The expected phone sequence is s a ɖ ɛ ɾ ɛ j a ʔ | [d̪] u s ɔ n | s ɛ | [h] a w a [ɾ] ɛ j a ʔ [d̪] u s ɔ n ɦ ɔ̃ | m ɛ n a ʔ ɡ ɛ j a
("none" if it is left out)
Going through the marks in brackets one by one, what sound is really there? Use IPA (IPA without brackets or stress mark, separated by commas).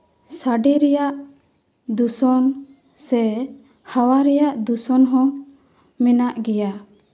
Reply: d̪, h, ɾ, d̪